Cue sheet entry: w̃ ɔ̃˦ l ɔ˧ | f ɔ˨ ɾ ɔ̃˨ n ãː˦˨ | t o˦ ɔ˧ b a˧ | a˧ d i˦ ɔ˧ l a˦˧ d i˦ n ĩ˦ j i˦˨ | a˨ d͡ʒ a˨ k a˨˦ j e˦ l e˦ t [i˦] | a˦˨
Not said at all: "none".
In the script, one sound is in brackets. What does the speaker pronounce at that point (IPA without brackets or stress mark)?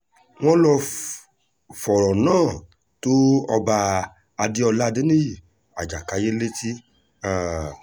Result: i˦